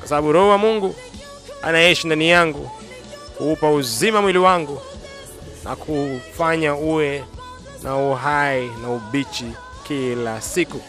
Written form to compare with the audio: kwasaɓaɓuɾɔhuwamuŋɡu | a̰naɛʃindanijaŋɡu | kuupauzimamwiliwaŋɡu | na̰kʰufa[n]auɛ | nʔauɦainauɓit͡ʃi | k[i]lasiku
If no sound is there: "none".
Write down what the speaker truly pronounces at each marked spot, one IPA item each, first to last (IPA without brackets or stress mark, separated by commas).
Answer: ɲ, i